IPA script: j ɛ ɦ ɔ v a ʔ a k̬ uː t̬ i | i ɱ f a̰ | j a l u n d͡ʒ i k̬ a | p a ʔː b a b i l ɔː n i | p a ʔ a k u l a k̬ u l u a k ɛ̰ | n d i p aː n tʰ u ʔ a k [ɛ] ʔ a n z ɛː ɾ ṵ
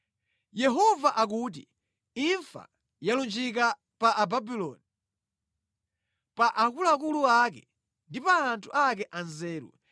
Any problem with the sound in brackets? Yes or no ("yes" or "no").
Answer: no